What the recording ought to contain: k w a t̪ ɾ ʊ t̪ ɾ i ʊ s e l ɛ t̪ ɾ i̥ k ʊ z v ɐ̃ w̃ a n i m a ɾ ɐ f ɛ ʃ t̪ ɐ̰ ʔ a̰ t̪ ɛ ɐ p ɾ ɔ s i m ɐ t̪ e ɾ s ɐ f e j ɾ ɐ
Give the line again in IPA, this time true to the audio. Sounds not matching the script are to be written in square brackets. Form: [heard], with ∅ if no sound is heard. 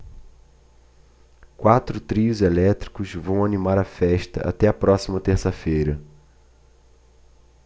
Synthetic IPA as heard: k w a t̪ ɾ ʊ t̪ ɾ i ʊ [z] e l ɛ t̪ ɾ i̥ k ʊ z v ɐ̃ w̃ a n i m a ɾ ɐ f ɛ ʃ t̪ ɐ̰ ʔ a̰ t̪ ɛ ɐ p ɾ ɔ s i m ɐ t̪ e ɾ s ɐ f e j ɾ ɐ